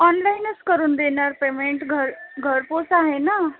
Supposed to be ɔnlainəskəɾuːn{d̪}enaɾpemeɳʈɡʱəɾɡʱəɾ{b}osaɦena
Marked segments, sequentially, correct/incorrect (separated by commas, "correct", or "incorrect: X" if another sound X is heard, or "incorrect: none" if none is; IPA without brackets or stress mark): correct, incorrect: p